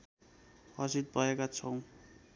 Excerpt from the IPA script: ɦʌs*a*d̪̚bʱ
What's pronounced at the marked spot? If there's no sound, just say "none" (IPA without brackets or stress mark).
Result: i